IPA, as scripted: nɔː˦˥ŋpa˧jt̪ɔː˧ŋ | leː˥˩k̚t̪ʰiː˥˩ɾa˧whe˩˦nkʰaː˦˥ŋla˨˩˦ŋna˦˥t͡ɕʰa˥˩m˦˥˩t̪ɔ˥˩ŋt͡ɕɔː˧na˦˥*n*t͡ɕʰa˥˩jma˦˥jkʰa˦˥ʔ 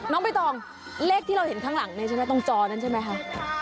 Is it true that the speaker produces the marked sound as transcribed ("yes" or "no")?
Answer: yes